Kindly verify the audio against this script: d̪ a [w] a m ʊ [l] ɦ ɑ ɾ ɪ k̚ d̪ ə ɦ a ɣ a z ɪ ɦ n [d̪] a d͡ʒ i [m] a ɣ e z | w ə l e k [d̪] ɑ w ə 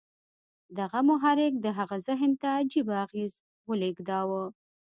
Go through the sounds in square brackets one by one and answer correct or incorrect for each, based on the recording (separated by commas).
incorrect, incorrect, incorrect, incorrect, correct